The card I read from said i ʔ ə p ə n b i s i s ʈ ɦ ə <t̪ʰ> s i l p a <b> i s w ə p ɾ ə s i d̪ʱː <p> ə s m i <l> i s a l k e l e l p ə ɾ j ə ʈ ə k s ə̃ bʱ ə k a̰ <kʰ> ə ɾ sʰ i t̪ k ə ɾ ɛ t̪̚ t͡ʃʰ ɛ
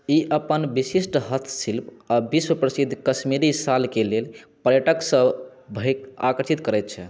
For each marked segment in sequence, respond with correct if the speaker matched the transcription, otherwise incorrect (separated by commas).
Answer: correct, correct, incorrect, incorrect, incorrect